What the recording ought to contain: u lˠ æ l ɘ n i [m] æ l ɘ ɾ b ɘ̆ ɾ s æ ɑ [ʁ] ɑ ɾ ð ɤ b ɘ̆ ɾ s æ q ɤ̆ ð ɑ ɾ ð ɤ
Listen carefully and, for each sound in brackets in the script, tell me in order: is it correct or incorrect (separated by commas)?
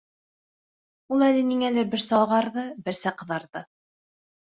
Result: incorrect, correct